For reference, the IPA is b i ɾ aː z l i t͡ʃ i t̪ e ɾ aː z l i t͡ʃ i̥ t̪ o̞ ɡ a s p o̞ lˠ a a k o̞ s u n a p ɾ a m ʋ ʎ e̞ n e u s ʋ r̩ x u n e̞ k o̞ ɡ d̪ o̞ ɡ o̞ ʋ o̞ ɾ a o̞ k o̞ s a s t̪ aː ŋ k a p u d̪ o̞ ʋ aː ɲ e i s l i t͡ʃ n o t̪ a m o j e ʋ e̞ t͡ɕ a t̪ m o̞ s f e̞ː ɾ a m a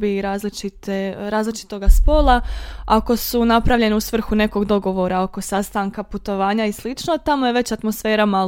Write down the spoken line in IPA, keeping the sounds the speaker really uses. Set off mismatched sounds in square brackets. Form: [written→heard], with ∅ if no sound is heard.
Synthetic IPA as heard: b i ɾ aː z l i t͡ʃ i t̪ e ɾ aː z l i t͡ʃ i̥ t̪ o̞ ɡ a s p o̞ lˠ a a k o̞ s u n a p ɾ a [m→∅] ʋ ʎ e̞ n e u s ʋ r̩ x u n e̞ k o̞ ɡ d̪ o̞ ɡ o̞ ʋ o̞ ɾ a o̞ k o̞ s a s t̪ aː ŋ k a p u [d̪→t̪] o̞ ʋ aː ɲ [e→a] i s l i t͡ʃ n o t̪ a m o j e ʋ e̞ t͡ɕ a t̪ m o̞ s f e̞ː ɾ a m a